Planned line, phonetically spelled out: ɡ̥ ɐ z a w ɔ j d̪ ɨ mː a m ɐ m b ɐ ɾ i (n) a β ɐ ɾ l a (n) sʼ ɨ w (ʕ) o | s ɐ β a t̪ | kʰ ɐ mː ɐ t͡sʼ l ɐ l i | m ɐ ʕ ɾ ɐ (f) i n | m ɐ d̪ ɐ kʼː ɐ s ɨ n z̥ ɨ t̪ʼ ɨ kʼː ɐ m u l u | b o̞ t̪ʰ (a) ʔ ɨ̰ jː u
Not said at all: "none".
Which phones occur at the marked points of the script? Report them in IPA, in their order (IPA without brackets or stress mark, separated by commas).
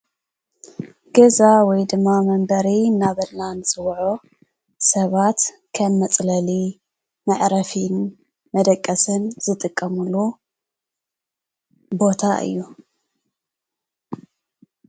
n, n, ʕ, f, a